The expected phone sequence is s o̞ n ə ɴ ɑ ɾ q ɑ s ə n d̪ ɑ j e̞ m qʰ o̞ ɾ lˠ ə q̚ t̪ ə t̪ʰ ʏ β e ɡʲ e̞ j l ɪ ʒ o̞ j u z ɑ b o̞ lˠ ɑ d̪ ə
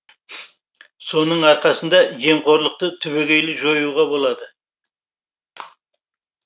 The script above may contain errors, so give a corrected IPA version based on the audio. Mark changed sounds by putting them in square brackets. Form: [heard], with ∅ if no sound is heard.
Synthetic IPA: s o̞ n ə ɴ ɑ ɾ q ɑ s ə n d̪ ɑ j e̞ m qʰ o̞ ɾ lˠ ə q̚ t̪ ə t̪ʰ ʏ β e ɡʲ e̞ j l ɪ ʒ o̞ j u [ʁ] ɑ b o̞ lˠ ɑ d̪ ə